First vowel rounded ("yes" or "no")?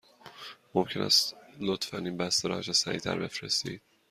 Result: yes